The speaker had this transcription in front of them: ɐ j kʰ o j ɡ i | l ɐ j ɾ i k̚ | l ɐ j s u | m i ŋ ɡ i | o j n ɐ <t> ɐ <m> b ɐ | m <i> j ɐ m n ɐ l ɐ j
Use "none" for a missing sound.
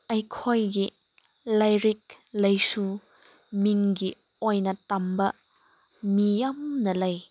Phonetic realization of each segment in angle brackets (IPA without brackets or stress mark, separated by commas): t, m, i